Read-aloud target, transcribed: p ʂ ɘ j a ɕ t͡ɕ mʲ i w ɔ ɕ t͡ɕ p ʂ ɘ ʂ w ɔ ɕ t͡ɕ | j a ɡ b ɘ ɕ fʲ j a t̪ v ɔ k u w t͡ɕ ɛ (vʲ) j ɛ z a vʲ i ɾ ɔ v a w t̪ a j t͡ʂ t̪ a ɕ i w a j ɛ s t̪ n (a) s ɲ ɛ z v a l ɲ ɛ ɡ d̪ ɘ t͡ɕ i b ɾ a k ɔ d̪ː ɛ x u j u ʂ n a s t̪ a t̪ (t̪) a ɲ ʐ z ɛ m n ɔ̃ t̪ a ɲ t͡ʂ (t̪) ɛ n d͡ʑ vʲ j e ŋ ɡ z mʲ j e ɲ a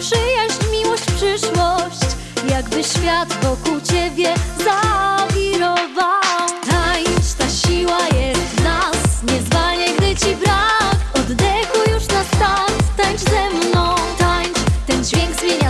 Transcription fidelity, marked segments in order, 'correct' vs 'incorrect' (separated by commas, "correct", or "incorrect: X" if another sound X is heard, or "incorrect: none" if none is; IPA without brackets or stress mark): incorrect: bʲ, correct, correct, correct